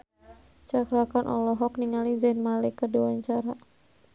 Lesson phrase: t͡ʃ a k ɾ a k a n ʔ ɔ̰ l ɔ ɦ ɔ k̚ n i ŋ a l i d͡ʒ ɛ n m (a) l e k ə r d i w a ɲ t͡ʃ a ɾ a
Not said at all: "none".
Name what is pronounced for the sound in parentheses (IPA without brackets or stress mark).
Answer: a